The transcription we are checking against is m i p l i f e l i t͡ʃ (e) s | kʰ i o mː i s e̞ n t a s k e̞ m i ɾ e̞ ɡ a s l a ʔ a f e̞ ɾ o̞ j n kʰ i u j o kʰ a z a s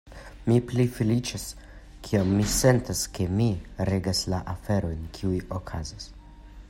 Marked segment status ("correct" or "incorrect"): incorrect